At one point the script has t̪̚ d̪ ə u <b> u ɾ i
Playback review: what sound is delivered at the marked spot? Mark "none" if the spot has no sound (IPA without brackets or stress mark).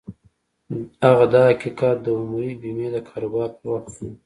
m